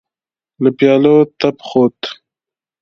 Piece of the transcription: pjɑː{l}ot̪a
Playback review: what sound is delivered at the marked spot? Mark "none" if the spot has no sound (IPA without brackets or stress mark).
l